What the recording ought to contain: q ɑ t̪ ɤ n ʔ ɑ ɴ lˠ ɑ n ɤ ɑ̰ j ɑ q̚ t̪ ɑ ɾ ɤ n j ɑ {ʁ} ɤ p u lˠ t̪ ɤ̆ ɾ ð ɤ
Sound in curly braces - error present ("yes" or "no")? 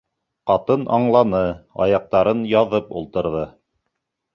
yes